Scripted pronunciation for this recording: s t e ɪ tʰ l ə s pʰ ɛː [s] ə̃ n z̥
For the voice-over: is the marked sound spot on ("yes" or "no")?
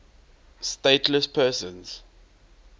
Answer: yes